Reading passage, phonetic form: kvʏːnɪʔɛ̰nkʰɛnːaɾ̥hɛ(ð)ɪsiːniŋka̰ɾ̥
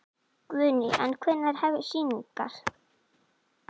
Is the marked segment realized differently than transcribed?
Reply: yes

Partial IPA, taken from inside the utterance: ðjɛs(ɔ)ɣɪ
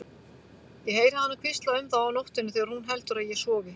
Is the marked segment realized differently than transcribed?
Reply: yes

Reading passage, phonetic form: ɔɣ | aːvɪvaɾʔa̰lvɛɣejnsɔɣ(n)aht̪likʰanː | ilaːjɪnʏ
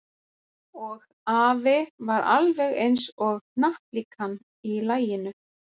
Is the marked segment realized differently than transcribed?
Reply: no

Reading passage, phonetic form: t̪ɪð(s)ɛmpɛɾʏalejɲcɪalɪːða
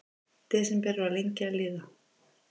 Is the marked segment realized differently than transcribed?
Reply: no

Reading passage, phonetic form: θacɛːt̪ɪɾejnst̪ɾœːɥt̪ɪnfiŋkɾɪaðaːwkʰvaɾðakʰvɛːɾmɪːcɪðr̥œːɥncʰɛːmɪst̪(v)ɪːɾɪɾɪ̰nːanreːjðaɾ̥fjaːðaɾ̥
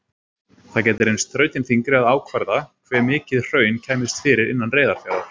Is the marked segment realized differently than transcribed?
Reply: yes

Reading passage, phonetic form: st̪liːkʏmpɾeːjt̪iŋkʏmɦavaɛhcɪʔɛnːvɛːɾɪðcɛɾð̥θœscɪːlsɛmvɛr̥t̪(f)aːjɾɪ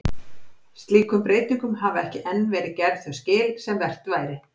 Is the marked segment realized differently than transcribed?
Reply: yes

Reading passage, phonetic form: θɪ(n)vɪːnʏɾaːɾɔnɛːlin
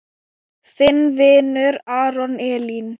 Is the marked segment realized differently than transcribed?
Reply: no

